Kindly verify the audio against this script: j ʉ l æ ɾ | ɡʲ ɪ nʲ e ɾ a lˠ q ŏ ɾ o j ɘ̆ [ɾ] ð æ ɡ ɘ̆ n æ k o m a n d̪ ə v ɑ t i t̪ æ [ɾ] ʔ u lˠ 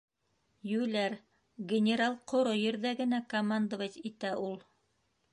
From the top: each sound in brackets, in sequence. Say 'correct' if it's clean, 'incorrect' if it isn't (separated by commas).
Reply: correct, incorrect